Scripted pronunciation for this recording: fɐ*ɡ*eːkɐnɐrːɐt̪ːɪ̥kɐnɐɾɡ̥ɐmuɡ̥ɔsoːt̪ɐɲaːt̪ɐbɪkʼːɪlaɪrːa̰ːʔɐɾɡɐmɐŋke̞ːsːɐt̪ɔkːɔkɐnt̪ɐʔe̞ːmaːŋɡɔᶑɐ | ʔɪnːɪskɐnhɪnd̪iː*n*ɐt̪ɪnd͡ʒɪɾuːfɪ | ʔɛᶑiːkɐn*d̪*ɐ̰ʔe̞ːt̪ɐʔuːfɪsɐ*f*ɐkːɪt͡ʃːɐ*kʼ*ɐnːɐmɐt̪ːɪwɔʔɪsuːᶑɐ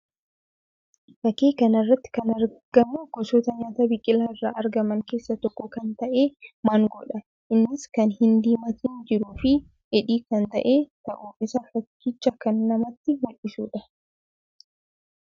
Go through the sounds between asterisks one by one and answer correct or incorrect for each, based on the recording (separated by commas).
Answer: incorrect, incorrect, incorrect, correct, incorrect